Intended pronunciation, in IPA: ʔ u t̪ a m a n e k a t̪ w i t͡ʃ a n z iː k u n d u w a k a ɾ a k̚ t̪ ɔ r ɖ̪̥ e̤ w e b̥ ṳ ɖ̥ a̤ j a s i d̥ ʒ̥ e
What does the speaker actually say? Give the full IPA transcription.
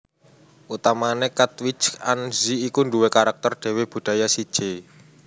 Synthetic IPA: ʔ u t̪ a m a n e k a t̪ w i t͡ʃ a n z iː k u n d u w e k a ɾ a k̚ t̪ ɔ r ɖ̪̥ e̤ w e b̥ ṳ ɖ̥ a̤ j a s i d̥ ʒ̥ e